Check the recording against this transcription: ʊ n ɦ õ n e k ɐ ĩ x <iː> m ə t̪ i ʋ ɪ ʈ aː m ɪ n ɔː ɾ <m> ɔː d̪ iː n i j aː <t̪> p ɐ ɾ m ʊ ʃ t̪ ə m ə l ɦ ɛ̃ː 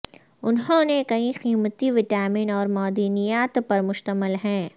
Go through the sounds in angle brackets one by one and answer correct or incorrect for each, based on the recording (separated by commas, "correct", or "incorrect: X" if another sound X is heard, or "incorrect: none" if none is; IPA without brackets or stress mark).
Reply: correct, correct, correct